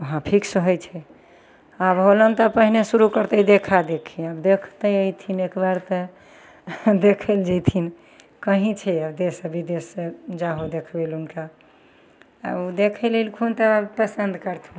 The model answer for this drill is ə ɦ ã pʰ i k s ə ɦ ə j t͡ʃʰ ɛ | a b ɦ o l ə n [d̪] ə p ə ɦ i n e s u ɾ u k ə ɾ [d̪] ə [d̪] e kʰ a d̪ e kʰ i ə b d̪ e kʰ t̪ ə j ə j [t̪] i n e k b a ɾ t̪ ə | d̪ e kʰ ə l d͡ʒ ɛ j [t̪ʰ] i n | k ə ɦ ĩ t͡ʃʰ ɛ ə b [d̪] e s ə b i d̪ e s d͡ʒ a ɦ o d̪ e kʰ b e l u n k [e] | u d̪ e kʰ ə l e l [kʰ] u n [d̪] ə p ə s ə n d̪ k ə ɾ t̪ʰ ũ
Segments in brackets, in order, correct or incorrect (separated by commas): incorrect, incorrect, correct, incorrect, correct, correct, incorrect, correct, incorrect